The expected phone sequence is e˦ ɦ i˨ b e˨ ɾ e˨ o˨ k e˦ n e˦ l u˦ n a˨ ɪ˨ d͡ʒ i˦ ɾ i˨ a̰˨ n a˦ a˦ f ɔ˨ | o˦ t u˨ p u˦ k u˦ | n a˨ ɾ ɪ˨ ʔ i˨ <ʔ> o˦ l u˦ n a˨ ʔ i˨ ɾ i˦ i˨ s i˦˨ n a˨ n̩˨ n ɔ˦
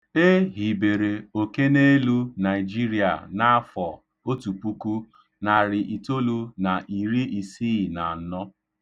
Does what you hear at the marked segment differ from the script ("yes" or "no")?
yes